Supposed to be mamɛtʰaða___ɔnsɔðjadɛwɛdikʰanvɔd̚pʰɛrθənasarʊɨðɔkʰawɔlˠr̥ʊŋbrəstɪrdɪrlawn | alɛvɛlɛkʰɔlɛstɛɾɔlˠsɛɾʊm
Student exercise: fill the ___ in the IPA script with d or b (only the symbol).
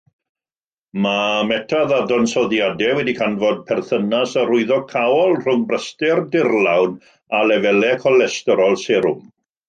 d